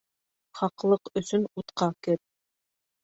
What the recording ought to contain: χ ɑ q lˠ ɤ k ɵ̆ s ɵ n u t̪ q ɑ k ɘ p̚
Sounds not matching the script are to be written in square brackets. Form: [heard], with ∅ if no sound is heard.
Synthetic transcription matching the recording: χ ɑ q lˠ ɤ [q] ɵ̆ s ɵ n u t̪ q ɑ k ɘ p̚